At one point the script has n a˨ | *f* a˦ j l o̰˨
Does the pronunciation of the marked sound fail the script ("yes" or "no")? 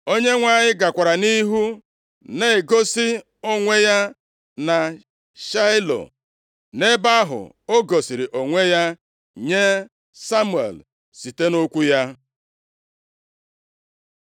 yes